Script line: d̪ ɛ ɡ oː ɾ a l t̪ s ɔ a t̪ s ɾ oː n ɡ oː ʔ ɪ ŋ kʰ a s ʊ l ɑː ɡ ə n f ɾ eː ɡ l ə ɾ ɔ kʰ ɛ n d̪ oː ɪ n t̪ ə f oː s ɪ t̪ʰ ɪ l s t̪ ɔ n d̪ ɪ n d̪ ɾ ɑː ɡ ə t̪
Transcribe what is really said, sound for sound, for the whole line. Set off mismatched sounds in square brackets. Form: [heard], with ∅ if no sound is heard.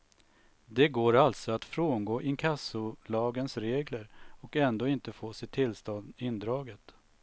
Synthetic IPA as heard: d̪ ɛ ɡ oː ɾ a l t̪ s ɔ a t̪ [f] ɾ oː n ɡ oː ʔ ɪ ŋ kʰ a s ʊ l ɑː ɡ ə n [s] ɾ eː ɡ l ə ɾ ɔ [k] ɛ n d̪ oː ɪ n t̪ ə f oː s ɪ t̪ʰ ɪ l s t̪ ɔ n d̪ ɪ n d̪ ɾ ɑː ɡ ə t̪